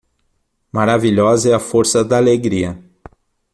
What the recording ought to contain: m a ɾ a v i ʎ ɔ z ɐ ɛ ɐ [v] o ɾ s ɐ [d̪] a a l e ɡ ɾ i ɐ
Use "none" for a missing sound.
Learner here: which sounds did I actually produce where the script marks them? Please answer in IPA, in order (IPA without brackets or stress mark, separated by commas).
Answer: f, d̪